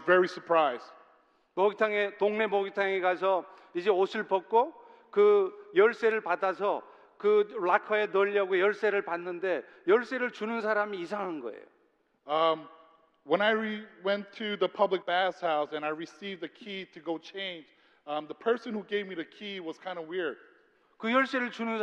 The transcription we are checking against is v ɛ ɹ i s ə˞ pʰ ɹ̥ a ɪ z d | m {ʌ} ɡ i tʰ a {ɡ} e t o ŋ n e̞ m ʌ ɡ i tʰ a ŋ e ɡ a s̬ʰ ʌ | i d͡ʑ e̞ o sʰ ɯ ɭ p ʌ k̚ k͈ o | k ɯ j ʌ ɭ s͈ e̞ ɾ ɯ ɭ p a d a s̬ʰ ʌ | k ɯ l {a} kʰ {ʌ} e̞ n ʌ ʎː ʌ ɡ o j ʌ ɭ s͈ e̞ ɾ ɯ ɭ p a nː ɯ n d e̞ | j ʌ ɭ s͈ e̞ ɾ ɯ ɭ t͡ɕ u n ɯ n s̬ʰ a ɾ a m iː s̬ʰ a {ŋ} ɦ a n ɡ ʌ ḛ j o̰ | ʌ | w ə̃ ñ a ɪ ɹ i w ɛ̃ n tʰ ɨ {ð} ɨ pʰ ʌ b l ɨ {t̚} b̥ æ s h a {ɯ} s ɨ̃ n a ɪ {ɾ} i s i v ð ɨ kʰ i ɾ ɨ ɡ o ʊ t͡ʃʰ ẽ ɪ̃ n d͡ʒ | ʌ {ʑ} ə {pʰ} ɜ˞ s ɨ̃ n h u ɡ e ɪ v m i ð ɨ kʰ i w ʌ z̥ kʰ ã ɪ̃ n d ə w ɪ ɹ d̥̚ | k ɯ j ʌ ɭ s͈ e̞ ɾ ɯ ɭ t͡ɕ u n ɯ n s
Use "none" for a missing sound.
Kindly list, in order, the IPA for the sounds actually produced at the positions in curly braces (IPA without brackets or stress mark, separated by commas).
ʌ, ŋ, a, ʌ, ŋ, ð, k̚, ʊ, ɹ, ð, pʰ